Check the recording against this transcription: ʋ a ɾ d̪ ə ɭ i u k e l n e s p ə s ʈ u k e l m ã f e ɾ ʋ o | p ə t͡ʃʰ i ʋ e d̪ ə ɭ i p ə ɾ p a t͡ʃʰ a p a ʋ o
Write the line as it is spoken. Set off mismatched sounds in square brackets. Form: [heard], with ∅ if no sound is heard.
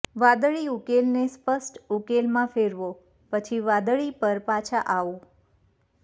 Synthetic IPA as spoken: ʋ a [∅] d̪ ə ɭ i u k e l n e s p ə s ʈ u k e l m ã f e ɾ ʋ o | p ə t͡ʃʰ i ʋ [a] d̪ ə ɭ i p ə ɾ p a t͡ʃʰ a [ʔ] a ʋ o